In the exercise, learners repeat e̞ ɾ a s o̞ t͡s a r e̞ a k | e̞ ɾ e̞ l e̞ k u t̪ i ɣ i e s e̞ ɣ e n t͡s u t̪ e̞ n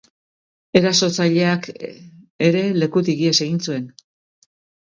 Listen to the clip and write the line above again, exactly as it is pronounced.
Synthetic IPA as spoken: e̞ ɾ a s o̞ t͡s a ʎ e̞ a k | e̞ ɾ e̞ l e̞ k u t̪ i ɣ i e s e̞ ɣ i n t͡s u e̞ n